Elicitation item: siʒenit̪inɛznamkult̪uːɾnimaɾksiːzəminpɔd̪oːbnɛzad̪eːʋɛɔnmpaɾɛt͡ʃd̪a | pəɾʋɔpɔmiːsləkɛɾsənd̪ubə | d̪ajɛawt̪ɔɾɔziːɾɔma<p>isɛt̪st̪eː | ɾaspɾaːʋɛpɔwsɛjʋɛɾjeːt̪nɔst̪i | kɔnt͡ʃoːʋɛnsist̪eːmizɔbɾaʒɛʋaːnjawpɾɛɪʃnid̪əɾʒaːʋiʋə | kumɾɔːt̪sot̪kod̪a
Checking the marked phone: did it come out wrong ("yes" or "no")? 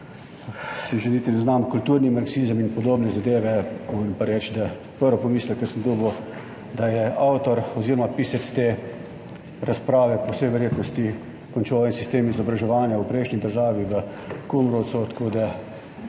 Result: no